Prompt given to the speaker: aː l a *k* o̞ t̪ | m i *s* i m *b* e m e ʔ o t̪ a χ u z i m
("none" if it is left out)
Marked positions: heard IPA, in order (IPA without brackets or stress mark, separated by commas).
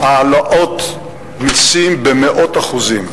ʔ, s, b